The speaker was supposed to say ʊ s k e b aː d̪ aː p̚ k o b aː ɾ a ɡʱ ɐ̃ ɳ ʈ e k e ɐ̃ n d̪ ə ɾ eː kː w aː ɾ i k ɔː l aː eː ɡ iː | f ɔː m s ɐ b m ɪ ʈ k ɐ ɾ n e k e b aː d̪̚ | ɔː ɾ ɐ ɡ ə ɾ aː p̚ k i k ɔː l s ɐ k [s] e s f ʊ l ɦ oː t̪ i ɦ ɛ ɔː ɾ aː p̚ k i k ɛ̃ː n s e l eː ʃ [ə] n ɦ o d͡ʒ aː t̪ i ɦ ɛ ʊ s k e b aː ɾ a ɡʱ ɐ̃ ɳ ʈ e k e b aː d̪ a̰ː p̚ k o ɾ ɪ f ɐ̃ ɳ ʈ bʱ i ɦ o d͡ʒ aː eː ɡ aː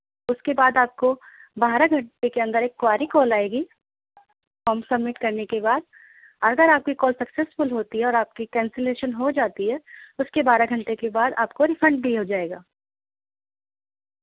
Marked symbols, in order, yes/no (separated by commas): yes, yes